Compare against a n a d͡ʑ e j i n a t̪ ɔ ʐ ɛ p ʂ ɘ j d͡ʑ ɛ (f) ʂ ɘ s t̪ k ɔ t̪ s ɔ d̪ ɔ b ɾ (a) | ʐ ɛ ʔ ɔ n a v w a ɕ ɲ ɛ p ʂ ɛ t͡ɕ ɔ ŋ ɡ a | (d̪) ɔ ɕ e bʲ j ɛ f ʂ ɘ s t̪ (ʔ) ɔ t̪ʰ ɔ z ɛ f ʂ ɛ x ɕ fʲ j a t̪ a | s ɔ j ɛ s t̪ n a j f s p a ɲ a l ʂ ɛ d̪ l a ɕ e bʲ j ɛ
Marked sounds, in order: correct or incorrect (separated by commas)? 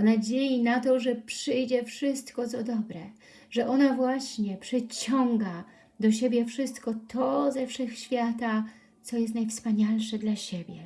correct, incorrect, correct, incorrect